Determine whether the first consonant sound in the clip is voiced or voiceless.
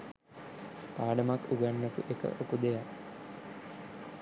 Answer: voiceless